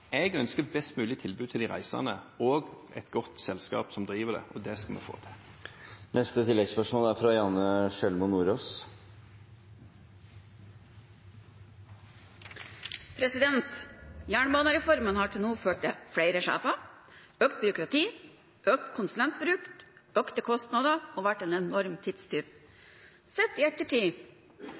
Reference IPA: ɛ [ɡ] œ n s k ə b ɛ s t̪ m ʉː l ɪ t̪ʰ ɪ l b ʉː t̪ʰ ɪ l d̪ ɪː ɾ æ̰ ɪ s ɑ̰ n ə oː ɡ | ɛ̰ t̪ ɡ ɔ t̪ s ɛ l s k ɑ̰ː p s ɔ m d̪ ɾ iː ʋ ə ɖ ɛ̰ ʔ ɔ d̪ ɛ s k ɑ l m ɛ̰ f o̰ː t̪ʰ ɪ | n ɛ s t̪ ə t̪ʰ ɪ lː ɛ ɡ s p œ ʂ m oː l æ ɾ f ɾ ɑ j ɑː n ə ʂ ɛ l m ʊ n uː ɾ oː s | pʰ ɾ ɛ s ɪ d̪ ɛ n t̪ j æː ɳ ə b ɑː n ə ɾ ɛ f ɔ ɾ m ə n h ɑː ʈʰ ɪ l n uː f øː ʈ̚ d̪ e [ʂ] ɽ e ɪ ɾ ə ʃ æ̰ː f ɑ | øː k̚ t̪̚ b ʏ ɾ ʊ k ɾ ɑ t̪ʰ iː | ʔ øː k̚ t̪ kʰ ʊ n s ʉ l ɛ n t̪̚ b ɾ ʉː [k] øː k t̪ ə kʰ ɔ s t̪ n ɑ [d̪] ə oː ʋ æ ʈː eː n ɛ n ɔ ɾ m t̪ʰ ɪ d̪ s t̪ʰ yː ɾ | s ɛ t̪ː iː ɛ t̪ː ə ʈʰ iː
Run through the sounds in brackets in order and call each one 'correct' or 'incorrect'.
correct, incorrect, correct, correct

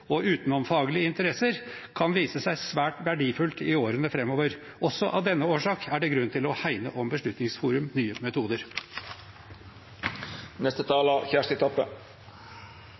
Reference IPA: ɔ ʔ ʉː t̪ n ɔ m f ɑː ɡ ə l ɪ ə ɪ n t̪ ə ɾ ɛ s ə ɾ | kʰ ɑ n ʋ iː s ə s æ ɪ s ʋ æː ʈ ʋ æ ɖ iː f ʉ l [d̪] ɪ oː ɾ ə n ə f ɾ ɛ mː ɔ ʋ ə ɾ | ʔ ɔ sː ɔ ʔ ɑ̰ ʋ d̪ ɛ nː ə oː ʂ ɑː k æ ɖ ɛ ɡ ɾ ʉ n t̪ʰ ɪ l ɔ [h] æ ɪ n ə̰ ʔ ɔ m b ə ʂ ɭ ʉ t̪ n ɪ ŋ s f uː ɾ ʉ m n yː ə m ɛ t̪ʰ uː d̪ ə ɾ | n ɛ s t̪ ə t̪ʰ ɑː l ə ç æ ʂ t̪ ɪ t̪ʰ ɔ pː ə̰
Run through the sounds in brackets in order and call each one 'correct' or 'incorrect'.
incorrect, correct

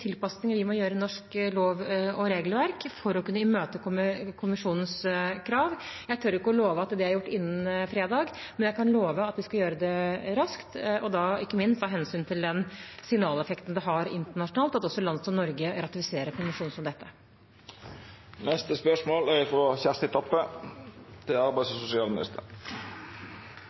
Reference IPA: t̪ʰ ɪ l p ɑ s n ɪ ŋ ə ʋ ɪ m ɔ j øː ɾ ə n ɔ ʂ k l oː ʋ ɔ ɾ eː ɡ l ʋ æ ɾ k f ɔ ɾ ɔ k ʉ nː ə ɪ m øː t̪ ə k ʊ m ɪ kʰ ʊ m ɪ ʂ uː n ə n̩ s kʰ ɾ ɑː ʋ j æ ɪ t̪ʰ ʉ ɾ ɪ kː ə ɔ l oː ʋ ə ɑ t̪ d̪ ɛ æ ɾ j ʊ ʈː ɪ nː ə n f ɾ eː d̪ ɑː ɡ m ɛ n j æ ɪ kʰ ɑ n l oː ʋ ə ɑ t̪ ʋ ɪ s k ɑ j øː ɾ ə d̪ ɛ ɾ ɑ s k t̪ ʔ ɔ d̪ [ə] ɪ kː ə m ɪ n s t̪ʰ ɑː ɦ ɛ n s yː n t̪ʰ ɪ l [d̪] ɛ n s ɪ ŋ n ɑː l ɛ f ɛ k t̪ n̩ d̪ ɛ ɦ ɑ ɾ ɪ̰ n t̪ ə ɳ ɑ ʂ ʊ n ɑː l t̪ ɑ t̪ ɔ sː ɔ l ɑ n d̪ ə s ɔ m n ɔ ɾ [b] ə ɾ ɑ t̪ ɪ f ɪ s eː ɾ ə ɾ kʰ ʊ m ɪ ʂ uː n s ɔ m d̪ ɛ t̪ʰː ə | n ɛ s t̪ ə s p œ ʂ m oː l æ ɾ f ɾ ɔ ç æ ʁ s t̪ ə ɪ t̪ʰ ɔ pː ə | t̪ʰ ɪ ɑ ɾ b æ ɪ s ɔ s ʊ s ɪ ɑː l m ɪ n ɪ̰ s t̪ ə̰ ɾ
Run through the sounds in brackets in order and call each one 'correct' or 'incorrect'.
incorrect, correct, incorrect

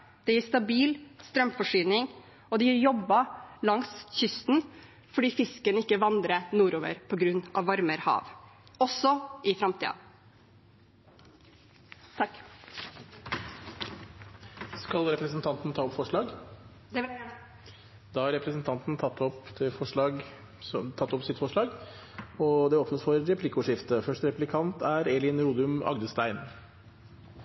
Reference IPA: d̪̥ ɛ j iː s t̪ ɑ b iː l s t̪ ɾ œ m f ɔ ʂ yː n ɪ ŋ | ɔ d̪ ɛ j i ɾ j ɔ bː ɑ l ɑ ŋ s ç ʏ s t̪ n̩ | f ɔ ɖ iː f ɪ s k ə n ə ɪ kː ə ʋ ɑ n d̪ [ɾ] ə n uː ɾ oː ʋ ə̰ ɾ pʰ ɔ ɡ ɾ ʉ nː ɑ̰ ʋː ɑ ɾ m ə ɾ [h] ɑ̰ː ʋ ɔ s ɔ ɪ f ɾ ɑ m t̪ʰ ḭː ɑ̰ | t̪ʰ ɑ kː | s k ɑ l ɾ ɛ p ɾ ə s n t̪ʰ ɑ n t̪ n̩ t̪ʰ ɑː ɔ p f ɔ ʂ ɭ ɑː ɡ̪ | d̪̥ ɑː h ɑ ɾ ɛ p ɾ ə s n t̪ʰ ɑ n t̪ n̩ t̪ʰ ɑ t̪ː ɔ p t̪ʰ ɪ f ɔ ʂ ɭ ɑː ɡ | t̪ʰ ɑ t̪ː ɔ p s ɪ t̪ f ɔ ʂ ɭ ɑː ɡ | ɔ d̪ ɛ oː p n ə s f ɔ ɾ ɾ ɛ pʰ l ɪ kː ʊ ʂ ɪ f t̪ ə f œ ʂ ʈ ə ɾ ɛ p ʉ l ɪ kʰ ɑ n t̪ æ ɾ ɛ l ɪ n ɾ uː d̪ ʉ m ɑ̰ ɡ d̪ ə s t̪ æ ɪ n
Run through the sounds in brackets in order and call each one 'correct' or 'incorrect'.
correct, correct

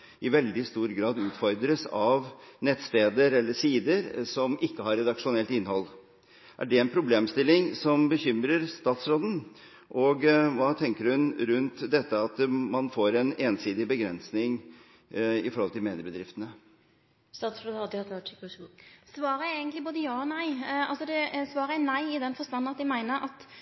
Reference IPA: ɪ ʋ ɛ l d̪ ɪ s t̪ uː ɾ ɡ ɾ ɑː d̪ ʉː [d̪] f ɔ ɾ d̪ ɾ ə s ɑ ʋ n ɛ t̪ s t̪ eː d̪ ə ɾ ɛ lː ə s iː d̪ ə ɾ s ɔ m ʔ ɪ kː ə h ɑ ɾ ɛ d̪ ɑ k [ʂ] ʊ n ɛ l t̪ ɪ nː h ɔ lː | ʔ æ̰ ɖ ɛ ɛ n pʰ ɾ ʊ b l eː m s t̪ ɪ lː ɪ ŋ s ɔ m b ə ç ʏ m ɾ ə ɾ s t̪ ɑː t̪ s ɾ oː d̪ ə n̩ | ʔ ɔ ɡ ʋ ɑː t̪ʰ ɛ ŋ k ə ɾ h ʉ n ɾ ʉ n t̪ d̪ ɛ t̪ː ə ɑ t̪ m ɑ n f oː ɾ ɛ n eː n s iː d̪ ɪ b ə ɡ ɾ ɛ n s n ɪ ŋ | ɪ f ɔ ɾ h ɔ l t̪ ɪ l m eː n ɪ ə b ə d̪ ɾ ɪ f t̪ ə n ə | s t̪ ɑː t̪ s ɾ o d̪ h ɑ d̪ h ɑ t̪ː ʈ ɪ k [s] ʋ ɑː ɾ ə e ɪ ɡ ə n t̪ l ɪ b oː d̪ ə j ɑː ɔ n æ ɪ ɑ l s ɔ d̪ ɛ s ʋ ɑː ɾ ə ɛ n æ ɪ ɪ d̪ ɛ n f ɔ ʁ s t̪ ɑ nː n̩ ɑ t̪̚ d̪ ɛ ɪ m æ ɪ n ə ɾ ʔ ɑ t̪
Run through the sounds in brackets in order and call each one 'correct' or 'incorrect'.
incorrect, correct, correct

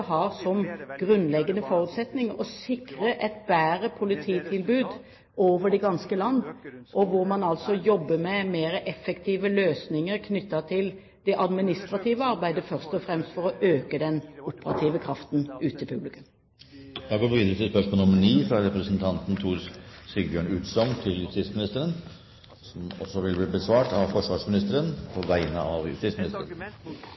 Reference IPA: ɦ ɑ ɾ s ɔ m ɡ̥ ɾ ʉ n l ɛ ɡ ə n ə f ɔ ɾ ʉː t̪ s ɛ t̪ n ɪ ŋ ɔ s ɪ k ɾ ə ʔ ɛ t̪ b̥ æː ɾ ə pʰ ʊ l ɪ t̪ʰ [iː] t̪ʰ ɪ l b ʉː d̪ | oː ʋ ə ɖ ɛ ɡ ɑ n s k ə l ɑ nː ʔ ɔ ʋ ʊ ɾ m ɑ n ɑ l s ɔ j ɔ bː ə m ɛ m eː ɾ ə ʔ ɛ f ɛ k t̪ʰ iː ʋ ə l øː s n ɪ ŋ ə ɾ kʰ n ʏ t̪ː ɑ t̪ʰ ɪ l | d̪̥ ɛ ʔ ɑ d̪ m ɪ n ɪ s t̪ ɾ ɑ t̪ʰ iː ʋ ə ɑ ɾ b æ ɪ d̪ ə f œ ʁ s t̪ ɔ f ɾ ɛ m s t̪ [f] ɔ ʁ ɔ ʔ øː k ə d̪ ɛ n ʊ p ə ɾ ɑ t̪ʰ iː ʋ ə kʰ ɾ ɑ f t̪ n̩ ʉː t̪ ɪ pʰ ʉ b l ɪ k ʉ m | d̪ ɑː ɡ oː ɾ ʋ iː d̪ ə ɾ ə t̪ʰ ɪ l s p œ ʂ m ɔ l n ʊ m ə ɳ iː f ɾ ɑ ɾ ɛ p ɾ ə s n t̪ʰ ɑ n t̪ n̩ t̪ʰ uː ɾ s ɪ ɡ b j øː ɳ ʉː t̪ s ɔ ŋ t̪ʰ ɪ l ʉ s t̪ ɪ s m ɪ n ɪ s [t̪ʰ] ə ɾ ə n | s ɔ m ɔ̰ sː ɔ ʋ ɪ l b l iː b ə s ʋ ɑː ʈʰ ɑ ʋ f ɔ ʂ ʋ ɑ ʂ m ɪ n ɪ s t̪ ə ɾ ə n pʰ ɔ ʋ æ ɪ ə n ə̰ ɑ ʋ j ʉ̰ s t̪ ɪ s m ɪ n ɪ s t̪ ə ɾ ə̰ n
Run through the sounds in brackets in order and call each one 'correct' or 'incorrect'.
correct, correct, incorrect

